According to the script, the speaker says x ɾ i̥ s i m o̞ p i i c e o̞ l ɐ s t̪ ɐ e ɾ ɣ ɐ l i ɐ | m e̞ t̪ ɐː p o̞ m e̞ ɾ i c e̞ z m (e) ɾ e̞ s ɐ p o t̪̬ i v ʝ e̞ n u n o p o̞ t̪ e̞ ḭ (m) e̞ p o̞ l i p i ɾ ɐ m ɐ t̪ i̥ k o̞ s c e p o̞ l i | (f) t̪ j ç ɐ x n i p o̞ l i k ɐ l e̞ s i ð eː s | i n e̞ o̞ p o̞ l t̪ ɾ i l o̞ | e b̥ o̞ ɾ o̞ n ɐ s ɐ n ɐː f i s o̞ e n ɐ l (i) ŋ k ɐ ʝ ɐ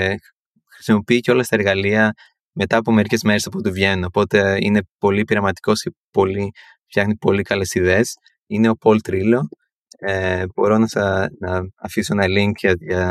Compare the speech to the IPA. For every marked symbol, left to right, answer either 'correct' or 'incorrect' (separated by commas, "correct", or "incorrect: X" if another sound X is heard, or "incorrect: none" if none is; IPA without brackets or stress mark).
correct, incorrect: n, correct, correct